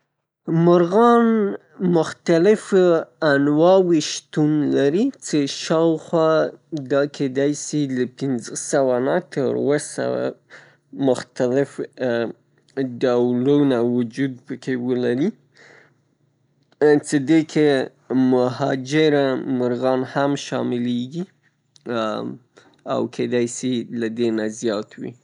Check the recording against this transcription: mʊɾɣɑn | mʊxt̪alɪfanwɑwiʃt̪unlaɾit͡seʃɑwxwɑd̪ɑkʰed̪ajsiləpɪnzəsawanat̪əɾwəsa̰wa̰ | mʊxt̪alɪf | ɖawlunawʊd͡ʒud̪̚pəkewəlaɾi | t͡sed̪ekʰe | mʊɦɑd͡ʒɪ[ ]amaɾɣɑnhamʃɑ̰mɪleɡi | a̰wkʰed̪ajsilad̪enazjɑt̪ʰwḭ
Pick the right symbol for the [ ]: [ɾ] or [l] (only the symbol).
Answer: ɾ